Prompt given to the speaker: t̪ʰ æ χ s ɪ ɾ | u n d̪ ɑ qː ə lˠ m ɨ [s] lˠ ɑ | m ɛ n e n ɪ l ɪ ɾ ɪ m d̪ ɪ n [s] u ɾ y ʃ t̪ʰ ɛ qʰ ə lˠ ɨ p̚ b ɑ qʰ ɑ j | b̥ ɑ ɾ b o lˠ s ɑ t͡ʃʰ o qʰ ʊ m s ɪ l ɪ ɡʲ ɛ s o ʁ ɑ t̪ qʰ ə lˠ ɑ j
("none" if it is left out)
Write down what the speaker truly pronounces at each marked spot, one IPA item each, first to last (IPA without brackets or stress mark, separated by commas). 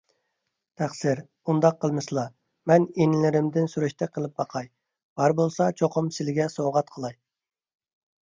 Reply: s, s